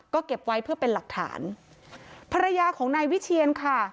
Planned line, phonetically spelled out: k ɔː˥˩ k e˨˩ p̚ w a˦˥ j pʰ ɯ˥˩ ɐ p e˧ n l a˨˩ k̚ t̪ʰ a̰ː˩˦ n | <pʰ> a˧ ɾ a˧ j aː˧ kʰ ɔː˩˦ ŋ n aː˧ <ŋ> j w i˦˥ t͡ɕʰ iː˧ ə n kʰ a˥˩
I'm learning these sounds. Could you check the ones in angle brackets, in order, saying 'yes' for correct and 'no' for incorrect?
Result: yes, no

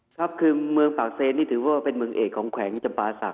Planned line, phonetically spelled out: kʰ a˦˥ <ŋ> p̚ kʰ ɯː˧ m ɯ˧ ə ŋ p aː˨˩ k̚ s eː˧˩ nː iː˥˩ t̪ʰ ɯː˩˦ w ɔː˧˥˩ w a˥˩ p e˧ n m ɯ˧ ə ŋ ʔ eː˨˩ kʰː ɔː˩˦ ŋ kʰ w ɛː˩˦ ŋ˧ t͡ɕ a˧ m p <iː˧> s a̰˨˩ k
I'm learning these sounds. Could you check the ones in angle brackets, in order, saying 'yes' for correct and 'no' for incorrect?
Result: no, no

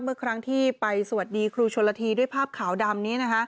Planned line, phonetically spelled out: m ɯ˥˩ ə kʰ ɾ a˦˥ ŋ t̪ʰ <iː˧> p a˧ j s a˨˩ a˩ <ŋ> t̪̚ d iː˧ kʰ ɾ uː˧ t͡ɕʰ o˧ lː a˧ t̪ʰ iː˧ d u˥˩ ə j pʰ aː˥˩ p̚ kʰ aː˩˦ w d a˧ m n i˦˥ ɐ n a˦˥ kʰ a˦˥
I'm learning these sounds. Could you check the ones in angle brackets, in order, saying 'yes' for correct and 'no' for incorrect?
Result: no, no

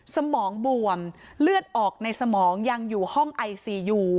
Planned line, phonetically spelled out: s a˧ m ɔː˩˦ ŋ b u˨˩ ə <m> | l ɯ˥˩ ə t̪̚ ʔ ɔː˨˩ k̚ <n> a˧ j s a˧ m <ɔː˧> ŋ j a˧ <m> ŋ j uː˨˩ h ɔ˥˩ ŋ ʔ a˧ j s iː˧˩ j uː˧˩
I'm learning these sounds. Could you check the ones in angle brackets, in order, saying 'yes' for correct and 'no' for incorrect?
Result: yes, yes, no, no

